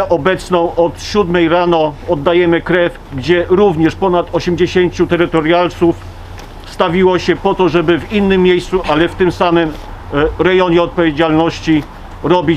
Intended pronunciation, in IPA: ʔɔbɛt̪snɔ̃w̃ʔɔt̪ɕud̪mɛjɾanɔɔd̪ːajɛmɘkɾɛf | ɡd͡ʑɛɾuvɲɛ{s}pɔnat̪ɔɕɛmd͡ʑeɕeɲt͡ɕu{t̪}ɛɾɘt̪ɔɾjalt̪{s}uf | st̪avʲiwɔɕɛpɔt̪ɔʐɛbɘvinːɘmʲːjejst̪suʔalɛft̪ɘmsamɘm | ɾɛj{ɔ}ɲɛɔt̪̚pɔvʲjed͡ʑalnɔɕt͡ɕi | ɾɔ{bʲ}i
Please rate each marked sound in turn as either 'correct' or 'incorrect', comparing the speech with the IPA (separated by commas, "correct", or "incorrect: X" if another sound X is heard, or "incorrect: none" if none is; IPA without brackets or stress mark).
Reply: incorrect: ʂ, correct, correct, correct, correct